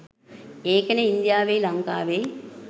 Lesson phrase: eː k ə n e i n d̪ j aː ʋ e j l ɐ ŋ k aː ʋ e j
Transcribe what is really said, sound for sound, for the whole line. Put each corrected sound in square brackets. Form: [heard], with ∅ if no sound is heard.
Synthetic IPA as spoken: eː k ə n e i n d̪ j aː ʋ e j l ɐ ŋ k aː ʋ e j

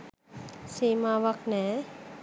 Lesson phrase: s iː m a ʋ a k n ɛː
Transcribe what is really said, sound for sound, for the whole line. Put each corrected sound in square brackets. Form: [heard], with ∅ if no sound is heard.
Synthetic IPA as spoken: s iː m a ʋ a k n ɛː

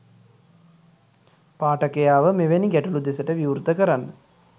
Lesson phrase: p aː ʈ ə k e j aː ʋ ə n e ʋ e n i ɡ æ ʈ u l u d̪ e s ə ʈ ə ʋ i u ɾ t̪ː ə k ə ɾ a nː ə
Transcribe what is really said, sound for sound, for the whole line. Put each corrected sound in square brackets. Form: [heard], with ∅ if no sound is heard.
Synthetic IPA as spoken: p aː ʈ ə k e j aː ʋ ə [m] e ʋ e n i ɡ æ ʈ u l u d̪ e s ə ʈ ə ʋ i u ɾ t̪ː ə k ə ɾ a nː ə

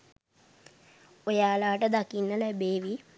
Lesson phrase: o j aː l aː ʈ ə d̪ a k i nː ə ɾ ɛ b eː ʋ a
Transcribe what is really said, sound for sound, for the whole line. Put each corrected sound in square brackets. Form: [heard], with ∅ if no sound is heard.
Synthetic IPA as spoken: o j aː l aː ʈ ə d̪ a k i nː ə [l] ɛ b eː ʋ [i]

